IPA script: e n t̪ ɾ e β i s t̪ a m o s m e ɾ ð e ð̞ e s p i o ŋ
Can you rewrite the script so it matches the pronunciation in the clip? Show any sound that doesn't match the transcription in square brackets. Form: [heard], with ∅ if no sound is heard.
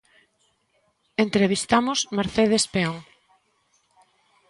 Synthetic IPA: e n t̪ ɾ e β i s t̪ a m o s m e ɾ [θ] e ð̞ e s p [e] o ŋ

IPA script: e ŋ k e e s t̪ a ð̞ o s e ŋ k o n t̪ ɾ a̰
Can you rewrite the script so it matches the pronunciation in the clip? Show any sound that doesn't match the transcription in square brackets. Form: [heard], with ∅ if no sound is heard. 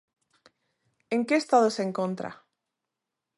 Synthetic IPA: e ŋ k e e s t̪ a ð̞ o s e ŋ k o n t̪ ɾ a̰

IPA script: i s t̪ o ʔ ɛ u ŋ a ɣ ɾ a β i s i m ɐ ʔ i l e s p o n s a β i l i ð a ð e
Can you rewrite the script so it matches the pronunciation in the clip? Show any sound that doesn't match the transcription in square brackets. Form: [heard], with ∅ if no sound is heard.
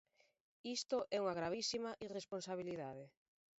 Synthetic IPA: i s t̪ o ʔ ɛ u ŋ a ɣ ɾ a β i s i m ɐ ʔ i [r] e s p o n s a β i l i ð a ð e

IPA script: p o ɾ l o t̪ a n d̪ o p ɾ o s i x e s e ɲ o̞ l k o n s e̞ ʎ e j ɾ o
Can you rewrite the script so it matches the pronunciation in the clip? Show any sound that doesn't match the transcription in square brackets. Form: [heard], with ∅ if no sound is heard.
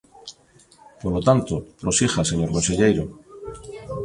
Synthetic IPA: p o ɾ l o t̪ a n [t̪] o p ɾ o s i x [a] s e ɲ o̞ [ɾ] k o n s e̞ ʎ e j ɾ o

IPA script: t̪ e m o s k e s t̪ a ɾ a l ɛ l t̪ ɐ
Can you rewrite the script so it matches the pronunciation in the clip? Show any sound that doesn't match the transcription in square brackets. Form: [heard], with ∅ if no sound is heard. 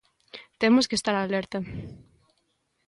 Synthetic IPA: t̪ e m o s k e s t̪ a ɾ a l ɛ [ɾ] t̪ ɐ

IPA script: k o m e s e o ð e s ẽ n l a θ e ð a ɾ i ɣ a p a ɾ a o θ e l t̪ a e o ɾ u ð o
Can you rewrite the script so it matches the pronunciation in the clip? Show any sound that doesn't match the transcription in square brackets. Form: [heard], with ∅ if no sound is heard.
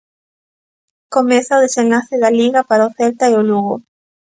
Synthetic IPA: k o m e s [a] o ð e s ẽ n l a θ e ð a [l] i ɣ a p a ɾ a o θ e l t̪ a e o [l] u [ɣ] o

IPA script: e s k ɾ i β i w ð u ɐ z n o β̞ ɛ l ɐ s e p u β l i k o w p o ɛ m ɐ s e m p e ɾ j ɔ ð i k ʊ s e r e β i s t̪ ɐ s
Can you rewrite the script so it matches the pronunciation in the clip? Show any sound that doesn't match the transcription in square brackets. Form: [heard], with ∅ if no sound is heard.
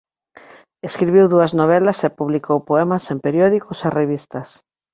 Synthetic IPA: e s k ɾ i β i w ð u ɐ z n o β̞ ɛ l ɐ s e p u β l i k o w p o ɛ m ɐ s e m p e ɾ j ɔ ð i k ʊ s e r e β i s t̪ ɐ s

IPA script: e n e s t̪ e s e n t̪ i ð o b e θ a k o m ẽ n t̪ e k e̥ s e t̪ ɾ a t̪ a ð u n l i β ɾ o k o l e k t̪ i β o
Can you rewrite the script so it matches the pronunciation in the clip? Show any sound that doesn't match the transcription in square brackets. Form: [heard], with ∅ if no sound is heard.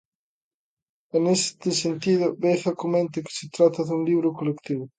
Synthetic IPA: e n e s t̪ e s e n t̪ i ð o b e θ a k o m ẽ n t̪ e k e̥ s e t̪ ɾ a t̪ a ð u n l i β ɾ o k o l e k t̪ i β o

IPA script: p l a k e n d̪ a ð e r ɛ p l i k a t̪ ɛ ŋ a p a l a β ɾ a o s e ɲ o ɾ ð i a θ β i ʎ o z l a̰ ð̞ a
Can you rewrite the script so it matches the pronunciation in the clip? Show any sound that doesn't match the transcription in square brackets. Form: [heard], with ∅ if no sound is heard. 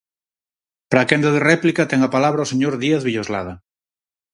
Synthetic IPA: p [ɾ] a k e n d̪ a ð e r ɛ p l i k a t̪ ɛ ŋ a p a l a β ɾ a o s e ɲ o ɾ ð i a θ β i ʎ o z l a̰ ð̞ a

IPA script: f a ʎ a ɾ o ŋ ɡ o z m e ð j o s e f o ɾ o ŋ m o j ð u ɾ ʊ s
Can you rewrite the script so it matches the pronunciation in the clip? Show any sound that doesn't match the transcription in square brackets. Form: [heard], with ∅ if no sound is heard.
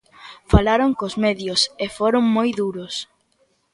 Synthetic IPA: f a [l] a ɾ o ŋ [k] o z m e ð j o s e f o ɾ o ŋ m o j ð u ɾ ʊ s

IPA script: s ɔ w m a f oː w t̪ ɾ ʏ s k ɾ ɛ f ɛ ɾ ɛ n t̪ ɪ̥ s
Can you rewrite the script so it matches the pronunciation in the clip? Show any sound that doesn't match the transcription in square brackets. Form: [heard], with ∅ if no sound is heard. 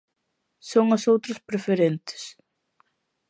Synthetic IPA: s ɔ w [ŋ] a [s] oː w t̪ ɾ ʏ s [p] ɾ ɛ f ɛ ɾ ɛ n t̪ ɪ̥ s

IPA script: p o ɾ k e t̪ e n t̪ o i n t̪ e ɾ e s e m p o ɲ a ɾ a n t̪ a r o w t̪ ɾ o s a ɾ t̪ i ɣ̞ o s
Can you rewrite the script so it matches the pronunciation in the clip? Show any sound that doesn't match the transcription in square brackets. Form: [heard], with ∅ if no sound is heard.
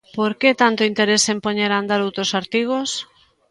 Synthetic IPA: p o ɾ k e t̪ [a] n t̪ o i n t̪ e ɾ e s e m p o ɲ [e] ɾ a n [d̪] a [ɾ] o w t̪ ɾ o s a ɾ t̪ i ɣ̞ o s

